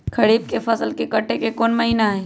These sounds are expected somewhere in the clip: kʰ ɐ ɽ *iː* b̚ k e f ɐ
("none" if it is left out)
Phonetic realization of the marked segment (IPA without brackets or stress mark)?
iː